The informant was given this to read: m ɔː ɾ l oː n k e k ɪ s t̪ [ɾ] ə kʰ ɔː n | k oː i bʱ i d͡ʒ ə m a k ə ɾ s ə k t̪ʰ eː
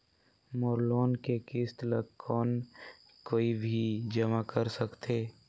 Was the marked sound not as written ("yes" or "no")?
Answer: yes